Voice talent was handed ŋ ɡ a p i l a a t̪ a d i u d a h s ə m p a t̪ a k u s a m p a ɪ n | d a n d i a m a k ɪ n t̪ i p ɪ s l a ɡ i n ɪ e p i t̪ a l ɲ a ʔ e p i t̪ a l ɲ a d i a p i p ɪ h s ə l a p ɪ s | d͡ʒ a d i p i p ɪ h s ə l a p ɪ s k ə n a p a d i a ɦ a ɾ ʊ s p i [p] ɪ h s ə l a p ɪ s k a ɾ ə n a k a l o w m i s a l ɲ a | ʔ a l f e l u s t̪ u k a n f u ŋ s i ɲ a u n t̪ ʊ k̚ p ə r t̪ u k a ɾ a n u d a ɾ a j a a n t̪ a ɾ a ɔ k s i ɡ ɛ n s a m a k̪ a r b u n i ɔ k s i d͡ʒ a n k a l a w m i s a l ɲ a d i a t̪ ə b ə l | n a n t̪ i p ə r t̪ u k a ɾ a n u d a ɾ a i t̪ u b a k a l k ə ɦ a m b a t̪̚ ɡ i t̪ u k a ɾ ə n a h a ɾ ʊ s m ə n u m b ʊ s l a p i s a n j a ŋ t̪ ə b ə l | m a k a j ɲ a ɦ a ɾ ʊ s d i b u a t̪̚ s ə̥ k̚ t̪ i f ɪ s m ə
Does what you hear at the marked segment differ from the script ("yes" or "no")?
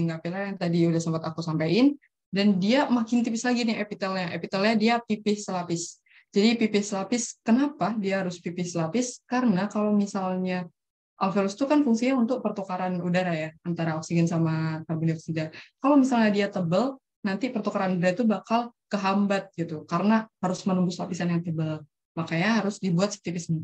no